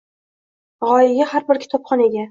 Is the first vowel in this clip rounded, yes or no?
yes